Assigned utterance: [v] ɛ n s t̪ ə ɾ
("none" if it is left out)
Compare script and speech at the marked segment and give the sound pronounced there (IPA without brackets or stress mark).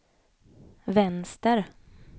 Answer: v